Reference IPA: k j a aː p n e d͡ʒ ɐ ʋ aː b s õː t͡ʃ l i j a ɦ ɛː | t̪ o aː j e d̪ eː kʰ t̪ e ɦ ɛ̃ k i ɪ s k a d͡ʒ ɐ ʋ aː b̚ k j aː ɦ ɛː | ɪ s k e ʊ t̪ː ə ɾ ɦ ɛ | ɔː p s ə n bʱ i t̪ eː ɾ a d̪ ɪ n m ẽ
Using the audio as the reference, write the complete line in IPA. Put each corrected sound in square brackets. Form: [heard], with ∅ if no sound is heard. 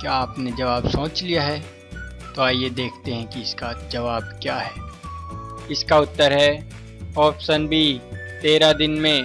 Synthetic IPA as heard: k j a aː p n e d͡ʒ ɐ ʋ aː b s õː t͡ʃ l i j a ɦ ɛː | t̪ o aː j e d̪ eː kʰ t̪ e ɦ ɛ̃ k i ɪ s k a d͡ʒ ɐ ʋ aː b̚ k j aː ɦ ɛː | ɪ s k [a] ʊ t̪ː ə ɾ ɦ ɛ | ɔː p s ə n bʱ i t̪ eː ɾ a d̪ ɪ n m ẽ